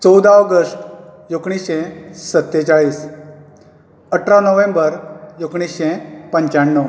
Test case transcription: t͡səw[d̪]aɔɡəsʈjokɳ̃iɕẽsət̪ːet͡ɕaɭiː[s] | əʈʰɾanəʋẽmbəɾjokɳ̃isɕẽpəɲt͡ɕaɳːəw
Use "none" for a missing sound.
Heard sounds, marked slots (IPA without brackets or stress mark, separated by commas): d̪, s